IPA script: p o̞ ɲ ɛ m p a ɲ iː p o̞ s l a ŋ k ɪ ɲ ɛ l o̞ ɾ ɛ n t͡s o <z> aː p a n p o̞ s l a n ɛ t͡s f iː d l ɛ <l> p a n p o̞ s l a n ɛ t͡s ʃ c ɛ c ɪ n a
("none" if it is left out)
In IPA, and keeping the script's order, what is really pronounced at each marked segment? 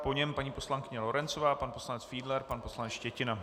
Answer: v, ɾ

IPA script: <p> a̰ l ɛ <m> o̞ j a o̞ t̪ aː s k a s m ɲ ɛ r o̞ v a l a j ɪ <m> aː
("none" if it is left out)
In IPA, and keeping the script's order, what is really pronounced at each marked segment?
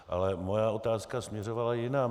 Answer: ʔ, m, n

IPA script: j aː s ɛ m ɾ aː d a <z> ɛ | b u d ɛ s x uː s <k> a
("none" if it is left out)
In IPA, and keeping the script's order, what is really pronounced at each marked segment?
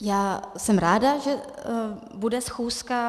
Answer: ʒ, k

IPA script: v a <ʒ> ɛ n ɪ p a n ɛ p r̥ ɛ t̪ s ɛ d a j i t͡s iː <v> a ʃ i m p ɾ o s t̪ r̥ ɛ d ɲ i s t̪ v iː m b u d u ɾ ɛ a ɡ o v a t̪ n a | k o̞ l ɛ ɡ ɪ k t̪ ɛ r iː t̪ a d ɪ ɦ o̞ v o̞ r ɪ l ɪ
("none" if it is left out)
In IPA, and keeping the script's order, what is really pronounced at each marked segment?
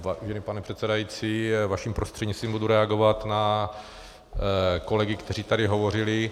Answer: ʒ, v

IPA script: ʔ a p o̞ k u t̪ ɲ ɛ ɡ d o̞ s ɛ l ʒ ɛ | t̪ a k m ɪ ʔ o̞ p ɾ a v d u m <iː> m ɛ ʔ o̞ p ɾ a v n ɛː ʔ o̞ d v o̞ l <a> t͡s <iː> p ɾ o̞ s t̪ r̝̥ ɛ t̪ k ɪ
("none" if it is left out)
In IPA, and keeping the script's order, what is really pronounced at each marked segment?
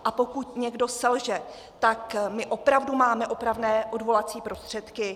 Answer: aː, a, iː

